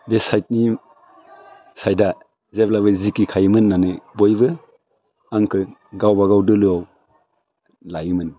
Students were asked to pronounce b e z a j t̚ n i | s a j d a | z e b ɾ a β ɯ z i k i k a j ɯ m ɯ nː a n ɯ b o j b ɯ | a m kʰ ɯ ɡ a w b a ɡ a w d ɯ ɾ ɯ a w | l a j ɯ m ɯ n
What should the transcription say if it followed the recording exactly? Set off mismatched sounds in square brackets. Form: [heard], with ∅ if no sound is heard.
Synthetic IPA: b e [s] a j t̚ n i | s a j d a | z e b [l] a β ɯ z i k i [kʰ] a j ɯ m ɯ nː a n ɯ b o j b ɯ | a [ŋ] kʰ ɯ ɡ a w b a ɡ a w d ɯ [l] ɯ a w | l a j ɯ m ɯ n